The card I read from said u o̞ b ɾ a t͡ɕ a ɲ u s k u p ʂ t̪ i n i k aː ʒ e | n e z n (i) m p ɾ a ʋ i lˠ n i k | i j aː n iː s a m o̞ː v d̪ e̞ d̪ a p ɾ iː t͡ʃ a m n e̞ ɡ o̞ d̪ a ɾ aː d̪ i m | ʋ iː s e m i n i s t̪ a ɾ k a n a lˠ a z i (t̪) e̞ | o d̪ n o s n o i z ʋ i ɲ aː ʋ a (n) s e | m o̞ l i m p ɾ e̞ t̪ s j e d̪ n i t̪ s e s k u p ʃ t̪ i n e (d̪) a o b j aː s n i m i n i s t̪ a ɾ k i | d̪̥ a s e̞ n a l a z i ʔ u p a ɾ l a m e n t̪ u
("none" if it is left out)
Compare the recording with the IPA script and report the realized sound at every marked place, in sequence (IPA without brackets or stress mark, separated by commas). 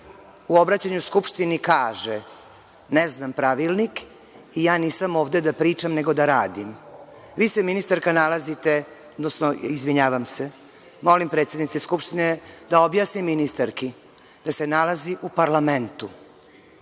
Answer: a, t̪, m, d̪